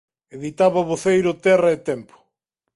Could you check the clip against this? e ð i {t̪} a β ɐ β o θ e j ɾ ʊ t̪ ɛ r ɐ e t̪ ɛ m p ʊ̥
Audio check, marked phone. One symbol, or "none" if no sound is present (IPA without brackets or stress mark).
t̪